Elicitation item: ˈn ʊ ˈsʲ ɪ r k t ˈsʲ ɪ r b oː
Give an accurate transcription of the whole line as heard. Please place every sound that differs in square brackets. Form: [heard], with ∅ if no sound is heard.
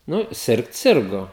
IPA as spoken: ˈn ʊ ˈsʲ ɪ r k t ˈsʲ ɪ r [ɡ] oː

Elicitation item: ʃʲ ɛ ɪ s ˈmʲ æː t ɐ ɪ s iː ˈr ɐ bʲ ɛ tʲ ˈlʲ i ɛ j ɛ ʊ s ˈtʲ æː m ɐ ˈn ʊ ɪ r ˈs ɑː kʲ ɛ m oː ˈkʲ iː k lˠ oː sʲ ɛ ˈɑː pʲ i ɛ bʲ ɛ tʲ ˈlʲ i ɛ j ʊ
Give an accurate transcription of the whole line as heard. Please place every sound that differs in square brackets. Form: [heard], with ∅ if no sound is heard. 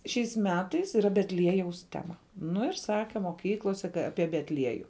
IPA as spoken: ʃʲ ɛ ɪ s ˈmʲ æː t ɐ ɪ s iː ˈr ɐ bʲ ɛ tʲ ˈlʲ i ɛ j ɛ ʊ s ˈtʲ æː m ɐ ˈn ʊ ɪ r ˈs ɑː kʲ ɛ m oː ˈkʲ iː k lˠ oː sʲ ɛ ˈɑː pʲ i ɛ bʲ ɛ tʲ ˈlʲ i ɛ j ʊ

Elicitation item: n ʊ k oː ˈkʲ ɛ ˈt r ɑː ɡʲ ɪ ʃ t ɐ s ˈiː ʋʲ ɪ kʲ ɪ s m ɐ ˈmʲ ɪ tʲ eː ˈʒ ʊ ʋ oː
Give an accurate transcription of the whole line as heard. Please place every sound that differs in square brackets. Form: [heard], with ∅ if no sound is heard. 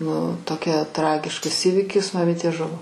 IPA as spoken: n ʊ [t] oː ˈkʲ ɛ ˈt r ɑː ɡʲ ɪ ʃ [k] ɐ s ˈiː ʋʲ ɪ kʲ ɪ s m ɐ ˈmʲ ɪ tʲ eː ˈʒ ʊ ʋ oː

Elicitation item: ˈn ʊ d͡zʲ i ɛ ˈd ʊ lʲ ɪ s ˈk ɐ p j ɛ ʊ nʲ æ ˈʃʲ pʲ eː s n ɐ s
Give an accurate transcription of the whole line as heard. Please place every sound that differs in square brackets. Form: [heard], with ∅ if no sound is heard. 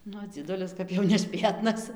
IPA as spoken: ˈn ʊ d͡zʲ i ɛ ˈd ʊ lʲ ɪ s ˈk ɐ p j ɛ ʊ nʲ [ɛ] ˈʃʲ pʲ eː [t] n ɐ s

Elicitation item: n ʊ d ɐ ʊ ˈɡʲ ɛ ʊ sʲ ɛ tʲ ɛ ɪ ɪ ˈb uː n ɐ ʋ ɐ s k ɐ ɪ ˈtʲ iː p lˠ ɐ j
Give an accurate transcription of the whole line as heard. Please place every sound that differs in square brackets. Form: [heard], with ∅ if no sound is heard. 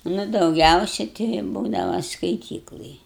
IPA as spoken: n ʊ d ɐ ʊ ˈɡʲ ɛ ʊ sʲ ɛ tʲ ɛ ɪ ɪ ˈb uː [d] ɐ ʋ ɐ s k ɐ ɪ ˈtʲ iː [k] lˠ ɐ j

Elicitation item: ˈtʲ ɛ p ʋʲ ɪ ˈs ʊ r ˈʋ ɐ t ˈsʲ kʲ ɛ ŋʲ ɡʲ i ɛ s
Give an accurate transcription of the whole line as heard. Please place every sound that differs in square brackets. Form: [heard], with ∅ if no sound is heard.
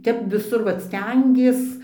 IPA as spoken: ˈtʲ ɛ p ʋʲ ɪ ˈs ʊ r ˈʋ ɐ t ˈsʲ [tʲ] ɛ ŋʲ ɡʲ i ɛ s

